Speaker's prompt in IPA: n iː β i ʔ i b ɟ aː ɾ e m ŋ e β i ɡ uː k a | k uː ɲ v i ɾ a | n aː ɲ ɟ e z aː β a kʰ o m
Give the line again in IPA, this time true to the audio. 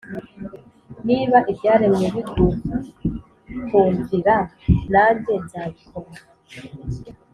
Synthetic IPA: n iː β a ʔ i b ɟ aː ɾ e m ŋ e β i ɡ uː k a | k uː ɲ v i ɾ a | n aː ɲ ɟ e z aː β i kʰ o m

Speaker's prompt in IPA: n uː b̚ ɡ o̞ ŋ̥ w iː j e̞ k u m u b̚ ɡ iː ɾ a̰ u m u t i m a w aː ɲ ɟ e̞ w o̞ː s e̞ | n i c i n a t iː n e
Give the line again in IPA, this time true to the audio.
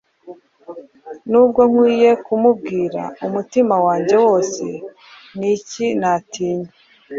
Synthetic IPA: n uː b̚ ɡ o̞ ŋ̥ w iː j e̞ k u m u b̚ ɡ iː ɾ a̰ u m u t i m a w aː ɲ ɟ e̞ w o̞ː s e̞ | n i c i n a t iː ɲ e

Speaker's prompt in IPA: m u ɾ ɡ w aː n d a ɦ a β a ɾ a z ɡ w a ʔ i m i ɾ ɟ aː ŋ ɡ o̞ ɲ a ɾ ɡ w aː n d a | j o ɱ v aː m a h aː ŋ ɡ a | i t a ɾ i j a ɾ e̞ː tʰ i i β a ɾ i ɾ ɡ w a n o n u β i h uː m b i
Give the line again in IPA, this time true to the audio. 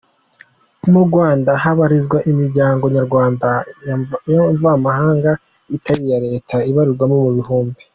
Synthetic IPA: m u ɾ ɡ w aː n d a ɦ a β a ɾ i z ɡ w a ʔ i m i ɾ ɟ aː ŋ ɡ o̞ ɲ a ɾ ɡ w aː n d a | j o ɱ v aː m a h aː ŋ ɡ a | i t a ɾ i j a ɾ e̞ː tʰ a i β a ɾ i ɾ ɡ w a m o m u β i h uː m b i

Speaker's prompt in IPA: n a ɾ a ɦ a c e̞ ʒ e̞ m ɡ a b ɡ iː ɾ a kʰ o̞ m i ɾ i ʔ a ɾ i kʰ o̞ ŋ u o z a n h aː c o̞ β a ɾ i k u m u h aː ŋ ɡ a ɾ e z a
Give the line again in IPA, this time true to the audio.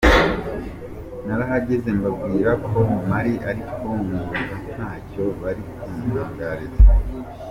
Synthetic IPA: n a ɾ a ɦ a ɟ e̞ z e̞ m b a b ɡ iː ɾ a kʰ o̞ m a ɾ i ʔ a ɾ i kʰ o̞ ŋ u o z a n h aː c o̞ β a ɾ i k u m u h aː ŋ ɡ a ɾ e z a

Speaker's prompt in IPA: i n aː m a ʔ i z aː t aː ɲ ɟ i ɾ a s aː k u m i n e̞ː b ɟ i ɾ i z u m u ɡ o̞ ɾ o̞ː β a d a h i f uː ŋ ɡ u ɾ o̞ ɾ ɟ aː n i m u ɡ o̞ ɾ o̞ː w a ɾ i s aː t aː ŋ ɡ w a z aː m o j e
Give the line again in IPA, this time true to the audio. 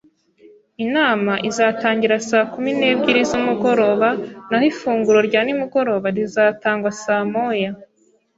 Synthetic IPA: i n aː m a ʔ i z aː t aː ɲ ɟ i ɾ a s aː k u m i n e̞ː b ɟ i ɾ i z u m u ɡ o̞ ɾ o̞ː β a n a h i f uː ŋ ɡ u ɾ o̞ ɾ ɟ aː n i m u ɡ o̞ ɾ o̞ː β a ɾ i z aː t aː ŋ ɡ w a s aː m o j a

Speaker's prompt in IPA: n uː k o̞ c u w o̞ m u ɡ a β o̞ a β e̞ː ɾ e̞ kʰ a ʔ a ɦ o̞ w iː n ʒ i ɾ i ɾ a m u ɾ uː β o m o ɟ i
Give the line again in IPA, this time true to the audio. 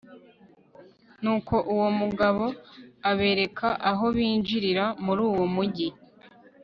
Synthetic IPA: n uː k o̞ ʔ u w o̞ m u ɡ a β o̞ a β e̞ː ɾ e̞ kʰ a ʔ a ɦ o̞ β iː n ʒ i ɾ i ɾ a m u ɾ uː w o m u ɟ i

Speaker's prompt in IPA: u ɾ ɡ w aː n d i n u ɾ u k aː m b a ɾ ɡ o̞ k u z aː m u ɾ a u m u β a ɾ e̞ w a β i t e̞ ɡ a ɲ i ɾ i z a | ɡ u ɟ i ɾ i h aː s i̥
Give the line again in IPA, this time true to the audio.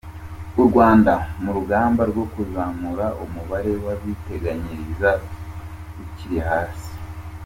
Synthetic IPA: u ɾ ɡ w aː n d a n u ɾ u ɡ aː m b a ɾ ɡ o̞ k u z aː m u ɾ a u m u β a ɾ e̞ w a β i t e̞ ɡ a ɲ i ɾ i z a | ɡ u c i ɾ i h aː s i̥

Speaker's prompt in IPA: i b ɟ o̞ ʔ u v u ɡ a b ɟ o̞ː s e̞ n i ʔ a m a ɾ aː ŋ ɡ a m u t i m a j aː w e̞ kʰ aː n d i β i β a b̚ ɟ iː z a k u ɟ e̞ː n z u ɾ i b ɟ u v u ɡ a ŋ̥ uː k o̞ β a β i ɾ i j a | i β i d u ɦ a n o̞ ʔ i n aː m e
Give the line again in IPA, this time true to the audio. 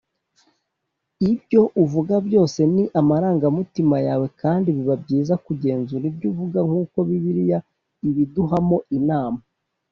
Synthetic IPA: i b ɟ o̞ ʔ u v u ɡ a b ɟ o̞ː s e̞ n i ʔ a m a ɾ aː ŋ ɡ a m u t i m a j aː w e̞ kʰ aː n d i β i β a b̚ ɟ iː z a k u ɟ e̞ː n z u ɾ i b ɟ u v u ɡ a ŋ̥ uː k o̞ β i β i ɾ i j a | i β i d u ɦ a m o̞ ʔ i n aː m a

